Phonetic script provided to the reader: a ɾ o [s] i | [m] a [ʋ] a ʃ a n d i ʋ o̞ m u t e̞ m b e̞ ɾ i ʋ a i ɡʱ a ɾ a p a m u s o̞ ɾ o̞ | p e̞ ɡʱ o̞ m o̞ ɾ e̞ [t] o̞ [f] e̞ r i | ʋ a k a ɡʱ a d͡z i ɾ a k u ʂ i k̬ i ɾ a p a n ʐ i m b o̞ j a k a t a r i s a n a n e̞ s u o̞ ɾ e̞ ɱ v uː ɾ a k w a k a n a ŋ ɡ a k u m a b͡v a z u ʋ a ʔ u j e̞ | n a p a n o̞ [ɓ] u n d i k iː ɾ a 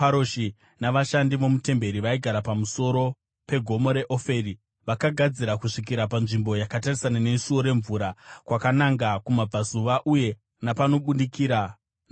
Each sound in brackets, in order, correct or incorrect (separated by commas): incorrect, incorrect, correct, incorrect, correct, correct